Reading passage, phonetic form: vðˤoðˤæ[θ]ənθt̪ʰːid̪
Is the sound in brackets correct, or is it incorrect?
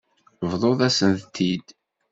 incorrect